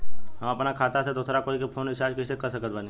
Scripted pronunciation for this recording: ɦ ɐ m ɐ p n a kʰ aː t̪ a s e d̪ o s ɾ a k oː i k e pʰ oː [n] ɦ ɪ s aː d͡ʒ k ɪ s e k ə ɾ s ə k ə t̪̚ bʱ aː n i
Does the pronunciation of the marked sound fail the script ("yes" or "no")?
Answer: no